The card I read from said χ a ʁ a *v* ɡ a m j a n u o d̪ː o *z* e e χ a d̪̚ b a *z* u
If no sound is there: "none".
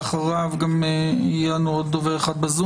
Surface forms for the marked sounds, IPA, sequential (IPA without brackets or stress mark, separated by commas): v, v, z